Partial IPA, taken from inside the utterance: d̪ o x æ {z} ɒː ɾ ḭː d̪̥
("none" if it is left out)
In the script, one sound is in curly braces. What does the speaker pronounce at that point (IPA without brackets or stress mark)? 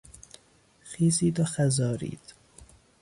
z